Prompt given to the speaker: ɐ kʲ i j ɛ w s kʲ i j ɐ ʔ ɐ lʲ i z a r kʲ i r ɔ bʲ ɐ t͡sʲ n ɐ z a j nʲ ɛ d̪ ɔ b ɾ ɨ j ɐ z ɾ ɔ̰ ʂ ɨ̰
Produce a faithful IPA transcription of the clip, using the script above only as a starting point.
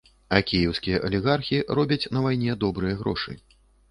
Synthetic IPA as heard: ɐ kʲ i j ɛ w s kʲ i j ɐ ʔ ɐ lʲ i ɣ a r xʲ i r ɔ bʲ ɐ t͡sʲ n ɐ v a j nʲ ɛ d̪ ɔ b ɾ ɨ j ɐ ɣ ɾ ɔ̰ ʂ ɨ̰